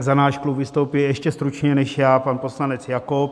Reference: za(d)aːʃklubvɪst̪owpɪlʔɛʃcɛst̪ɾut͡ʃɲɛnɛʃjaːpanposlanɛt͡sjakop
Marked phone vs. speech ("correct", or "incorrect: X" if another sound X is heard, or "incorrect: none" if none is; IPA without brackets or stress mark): incorrect: n